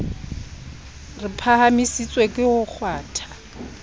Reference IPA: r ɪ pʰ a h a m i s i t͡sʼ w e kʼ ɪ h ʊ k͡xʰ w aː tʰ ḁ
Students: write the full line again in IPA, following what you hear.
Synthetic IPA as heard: r ɪ pʰ a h a m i s i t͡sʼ w e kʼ ɪ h ʊ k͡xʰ w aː tʰ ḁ